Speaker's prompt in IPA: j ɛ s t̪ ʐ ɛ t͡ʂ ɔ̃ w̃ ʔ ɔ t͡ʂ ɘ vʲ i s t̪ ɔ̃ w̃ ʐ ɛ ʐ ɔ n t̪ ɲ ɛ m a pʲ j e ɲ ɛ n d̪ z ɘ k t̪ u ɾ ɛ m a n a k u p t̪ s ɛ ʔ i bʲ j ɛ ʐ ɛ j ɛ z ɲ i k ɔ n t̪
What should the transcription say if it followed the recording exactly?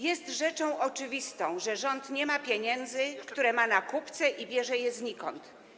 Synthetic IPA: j ɛ s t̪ ʐ ɛ t͡ʂ ɔ̃ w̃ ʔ ɔ t͡ʂ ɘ vʲ i s t̪ ɔ̃ w̃ ʐ ɛ ʐ ɔ n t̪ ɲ ɛ m a pʲ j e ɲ ɛ n d̪ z ɘ k t̪ u ɾ ɛ m a n a k u p t̪ s ɛ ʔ i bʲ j ɛ ʐ ɛ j ɛ z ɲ i k ɔ n t̪

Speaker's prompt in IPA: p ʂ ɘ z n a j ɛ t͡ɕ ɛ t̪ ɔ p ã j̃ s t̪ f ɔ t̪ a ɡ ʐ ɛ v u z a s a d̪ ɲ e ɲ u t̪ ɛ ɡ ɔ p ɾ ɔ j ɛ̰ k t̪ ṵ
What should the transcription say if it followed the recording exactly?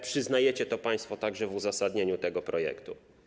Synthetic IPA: p ʂ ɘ z n a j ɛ t͡ɕ ɛ t̪ ɔ p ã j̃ s t̪ f ɔ t̪ a ɡ ʐ ɛ v u z a s a d̪ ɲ e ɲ u t̪ ɛ ɡ ɔ p ɾ ɔ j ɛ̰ k t̪ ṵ

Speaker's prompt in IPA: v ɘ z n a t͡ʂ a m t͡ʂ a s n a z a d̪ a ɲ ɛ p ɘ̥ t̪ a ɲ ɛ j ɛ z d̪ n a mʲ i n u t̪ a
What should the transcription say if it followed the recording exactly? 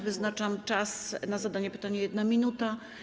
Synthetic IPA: v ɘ z n a t͡ʂ a m t͡ʂ a s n a z a d̪ a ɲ ɛ p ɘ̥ t̪ a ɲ ɛ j ɛ d̪ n a mʲ i n u t̪ a

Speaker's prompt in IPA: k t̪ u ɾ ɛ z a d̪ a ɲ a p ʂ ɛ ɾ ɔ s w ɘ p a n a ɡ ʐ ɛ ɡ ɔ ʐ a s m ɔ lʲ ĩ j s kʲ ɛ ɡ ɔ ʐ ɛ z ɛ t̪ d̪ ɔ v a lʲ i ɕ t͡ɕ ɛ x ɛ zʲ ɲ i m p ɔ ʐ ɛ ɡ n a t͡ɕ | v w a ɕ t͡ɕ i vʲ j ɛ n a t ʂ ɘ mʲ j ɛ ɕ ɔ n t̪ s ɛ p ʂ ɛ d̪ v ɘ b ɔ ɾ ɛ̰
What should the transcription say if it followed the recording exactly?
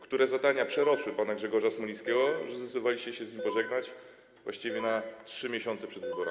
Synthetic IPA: k t̪ u ɾ ɛ z a d̪ a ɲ a p ʂ ɛ ɾ ɔ s w ɘ p a n a ɡ ʐ ɛ ɡ ɔ ʐ a s m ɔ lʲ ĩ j s kʲ ɛ ɡ ɔ ʐ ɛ z ɛ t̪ d̪ ɔ v a lʲ i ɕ t͡ɕ ɛ ɕ ɛ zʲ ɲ i m p ɔ ʐ ɛ ɡ n a t͡ɕ | v w a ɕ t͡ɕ i vʲ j ɛ n a t ʂ ɘ mʲ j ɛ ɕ ɔ n t̪ s ɛ p ʂ ɛ d̪ v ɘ b ɔ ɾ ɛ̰

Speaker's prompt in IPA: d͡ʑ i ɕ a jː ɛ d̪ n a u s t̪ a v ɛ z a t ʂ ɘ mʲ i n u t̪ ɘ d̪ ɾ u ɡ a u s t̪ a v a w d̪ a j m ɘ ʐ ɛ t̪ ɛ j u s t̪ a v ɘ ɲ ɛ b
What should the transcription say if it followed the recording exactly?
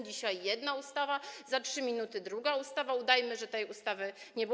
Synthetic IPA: d͡ʑ i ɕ a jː ɛ d̪ n a u s t̪ a v a z a t ʂ ɘ mʲ i n u t̪ ɘ d̪ ɾ u ɡ a u s t̪ a v a u d̪ a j m ɘ ʐ ɛ t̪ ɛ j u s t̪ a v ɘ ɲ ɛ b

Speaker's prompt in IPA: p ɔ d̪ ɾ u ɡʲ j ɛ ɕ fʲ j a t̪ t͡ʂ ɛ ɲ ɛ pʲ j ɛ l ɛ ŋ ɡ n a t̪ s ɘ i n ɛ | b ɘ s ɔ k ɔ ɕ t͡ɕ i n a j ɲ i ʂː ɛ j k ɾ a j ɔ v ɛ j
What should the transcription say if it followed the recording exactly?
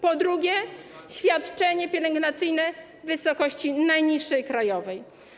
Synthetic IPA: p ɔ d̪ ɾ u ɡʲ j ɛ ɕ fʲ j a t̪ t͡ʂ ɛ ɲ ɛ pʲ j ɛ l ɛ ŋ ɡ n a t̪ s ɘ j n ɛ | v ɘ s ɔ k ɔ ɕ t͡ɕ i n a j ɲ i ʂː ɛ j k ɾ a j ɔ v ɛ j

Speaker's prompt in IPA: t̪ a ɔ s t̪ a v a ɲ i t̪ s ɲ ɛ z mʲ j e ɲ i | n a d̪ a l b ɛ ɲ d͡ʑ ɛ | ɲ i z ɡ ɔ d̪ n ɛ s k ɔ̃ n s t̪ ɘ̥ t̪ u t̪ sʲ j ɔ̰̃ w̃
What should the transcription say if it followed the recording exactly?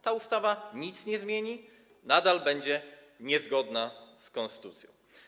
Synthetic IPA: t̪ a u s t̪ a v a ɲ i t̪ s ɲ ɛ z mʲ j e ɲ i | n a d̪ a l b ɛ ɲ d͡ʑ ɛ | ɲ ɛ z ɡ ɔ d̪ n a s k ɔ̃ n s t̪ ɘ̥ t̪ u t̪ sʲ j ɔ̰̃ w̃

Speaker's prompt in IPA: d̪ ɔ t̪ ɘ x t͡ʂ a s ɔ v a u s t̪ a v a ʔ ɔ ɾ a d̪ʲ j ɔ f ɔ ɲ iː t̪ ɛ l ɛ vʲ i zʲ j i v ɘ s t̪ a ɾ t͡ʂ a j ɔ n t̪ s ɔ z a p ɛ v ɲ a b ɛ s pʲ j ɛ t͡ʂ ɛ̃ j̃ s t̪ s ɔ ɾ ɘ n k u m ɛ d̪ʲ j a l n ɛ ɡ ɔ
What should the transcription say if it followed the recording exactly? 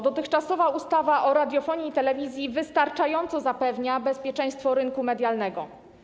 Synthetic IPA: d̪ ɔ t̪ ɘ x t͡ʂ a s ɔ v a u s t̪ a v a ʔ ɔ ɾ a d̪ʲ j ɔ f ɔ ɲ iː t̪ ɛ l ɛ vʲ i zʲ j i v ɘ s t̪ a ɾ t͡ʂ a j ɔ n t̪ s ɔ z a p ɛ v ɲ a b ɛ s pʲ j ɛ t͡ʂ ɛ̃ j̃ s t̪ f ɔ ɾ ɘ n k u m ɛ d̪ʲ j a l n ɛ ɡ ɔ

